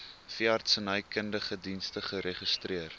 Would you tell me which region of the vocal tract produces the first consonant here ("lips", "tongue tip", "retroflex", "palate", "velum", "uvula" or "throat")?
lips